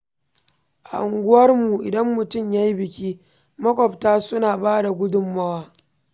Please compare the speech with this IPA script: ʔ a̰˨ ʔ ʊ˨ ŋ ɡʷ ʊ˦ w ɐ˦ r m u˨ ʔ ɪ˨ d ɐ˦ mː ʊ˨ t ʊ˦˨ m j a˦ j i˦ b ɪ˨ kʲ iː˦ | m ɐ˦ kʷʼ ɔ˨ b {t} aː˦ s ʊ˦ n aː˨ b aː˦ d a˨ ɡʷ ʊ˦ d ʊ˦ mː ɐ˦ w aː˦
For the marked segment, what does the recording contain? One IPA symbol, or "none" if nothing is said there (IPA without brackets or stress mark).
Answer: t